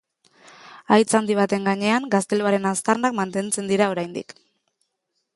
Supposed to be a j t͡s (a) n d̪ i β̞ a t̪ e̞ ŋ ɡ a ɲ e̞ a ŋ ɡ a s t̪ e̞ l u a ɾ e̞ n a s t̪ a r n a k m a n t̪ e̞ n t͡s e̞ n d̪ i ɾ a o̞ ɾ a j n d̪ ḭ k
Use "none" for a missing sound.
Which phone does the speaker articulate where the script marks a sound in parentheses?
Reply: a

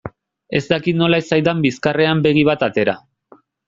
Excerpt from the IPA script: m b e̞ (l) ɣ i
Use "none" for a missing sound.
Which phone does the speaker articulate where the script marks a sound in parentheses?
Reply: none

